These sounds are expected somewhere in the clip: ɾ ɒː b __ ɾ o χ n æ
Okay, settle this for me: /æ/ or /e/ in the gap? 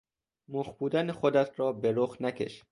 e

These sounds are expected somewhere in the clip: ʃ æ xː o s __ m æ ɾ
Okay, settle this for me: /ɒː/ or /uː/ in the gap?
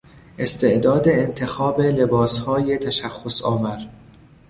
ɒː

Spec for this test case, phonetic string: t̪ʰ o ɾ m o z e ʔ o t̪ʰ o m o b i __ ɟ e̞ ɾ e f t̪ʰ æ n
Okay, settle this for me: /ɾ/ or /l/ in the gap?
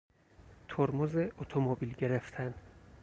l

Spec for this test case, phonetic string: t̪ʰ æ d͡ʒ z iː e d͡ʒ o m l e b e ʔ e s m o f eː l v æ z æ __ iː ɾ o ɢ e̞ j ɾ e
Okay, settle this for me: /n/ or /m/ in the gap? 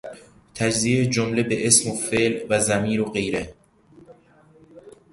m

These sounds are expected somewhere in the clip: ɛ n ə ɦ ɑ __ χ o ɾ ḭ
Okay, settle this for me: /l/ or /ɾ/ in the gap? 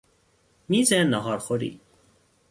ɾ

